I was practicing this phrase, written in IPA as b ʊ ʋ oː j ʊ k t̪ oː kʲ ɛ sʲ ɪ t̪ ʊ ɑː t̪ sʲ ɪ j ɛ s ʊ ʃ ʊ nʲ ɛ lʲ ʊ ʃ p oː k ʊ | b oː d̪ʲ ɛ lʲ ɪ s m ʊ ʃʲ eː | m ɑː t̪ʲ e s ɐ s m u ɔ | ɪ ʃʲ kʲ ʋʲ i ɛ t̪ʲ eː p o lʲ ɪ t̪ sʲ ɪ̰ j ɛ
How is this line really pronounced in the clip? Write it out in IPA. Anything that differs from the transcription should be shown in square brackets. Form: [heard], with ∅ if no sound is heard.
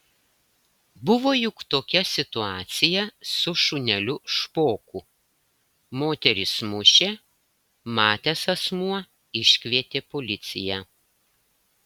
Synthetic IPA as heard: b ʊ ʋ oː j ʊ k t̪ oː kʲ ɛ sʲ ɪ t̪ ʊ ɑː t̪ sʲ ɪ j ɛ s ʊ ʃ ʊ nʲ ɛ lʲ ʊ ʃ p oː k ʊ | [m] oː [t̪ʲ] ɛ [ɾʲ] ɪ s m ʊ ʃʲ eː | m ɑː t̪ʲ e s ɐ s m u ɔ | ɪ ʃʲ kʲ ʋʲ i ɛ t̪ʲ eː p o lʲ ɪ t̪ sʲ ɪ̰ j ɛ